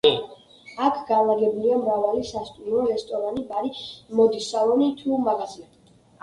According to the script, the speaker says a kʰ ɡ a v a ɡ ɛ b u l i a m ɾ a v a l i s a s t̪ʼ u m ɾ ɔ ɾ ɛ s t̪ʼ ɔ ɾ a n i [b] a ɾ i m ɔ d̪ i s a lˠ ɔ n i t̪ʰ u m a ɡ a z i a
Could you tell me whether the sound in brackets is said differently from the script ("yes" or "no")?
no